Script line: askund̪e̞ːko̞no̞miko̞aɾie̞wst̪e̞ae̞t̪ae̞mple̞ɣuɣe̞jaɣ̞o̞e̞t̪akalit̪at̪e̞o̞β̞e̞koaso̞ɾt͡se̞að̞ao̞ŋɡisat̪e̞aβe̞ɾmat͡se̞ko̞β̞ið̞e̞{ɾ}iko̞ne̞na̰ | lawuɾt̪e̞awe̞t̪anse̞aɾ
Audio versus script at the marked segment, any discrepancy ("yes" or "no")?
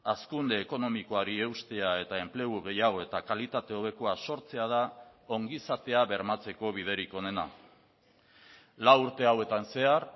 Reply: no